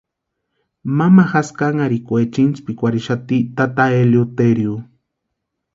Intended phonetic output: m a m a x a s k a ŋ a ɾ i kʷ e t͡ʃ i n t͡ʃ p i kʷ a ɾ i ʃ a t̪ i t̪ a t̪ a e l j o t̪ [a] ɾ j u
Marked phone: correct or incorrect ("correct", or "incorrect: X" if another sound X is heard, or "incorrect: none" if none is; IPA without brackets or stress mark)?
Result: incorrect: e